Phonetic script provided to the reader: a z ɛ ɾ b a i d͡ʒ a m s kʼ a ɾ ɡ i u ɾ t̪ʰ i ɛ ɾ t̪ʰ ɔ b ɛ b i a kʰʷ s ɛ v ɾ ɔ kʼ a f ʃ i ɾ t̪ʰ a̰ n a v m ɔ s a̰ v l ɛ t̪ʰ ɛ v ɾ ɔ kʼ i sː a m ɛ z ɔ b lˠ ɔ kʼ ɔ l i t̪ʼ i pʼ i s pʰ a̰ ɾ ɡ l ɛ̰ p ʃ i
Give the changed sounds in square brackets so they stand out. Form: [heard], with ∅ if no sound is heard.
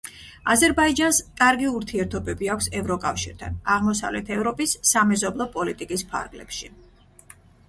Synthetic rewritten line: a z ɛ ɾ b a i d͡ʒ a [n] s kʼ a ɾ ɡ i u ɾ t̪ʰ i ɛ ɾ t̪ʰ ɔ b ɛ b i a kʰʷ s ɛ v ɾ ɔ kʼ a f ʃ i ɾ t̪ʰ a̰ n a [ʁ] m ɔ s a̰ v l ɛ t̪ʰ ɛ v ɾ ɔ [pʼ] i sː a m ɛ z ɔ b lˠ ɔ [pʼ] ɔ l i t̪ʼ i [kʼ] i s pʰ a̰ ɾ ɡ l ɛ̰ p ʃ i